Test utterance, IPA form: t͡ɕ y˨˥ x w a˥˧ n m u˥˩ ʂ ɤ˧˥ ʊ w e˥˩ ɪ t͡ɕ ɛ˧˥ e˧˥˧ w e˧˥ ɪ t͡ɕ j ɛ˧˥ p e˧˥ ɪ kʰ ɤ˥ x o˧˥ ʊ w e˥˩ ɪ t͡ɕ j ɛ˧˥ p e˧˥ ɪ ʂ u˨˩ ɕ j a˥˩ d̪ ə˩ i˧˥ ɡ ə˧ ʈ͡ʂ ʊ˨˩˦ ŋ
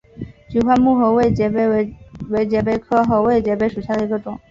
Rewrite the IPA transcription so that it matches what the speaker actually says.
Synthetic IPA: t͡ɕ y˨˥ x w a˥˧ n m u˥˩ x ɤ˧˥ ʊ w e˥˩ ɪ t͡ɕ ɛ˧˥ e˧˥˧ w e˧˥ ɪ t͡ɕ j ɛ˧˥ p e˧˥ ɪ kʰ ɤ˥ x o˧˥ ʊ w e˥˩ ɪ t͡ɕ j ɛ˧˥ p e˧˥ ɪ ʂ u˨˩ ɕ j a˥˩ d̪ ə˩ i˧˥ ɡ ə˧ ʈ͡ʂ ʊ˨˩˦ ŋ